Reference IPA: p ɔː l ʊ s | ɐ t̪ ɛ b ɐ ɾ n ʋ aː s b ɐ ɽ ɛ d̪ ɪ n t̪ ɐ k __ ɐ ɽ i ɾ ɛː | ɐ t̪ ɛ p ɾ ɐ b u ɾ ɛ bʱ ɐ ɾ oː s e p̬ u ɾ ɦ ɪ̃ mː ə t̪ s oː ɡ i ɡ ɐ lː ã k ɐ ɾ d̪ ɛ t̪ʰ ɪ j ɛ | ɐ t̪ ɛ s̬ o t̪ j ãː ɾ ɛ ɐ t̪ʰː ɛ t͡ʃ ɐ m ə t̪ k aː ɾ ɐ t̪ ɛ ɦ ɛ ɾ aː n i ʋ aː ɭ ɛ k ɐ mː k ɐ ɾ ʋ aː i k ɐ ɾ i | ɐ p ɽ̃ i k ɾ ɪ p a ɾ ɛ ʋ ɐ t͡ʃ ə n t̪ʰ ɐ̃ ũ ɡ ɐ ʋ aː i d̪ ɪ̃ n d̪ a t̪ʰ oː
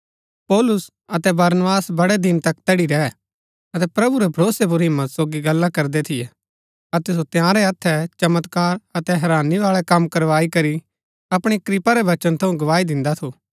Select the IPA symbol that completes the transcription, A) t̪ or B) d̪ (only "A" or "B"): A